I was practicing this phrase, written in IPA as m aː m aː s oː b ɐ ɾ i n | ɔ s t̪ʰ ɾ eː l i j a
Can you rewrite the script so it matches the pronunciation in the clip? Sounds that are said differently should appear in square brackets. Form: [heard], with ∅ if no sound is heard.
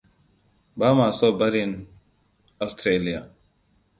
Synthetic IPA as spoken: [b] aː m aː s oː b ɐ ɾ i n | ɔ s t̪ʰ ɾ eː l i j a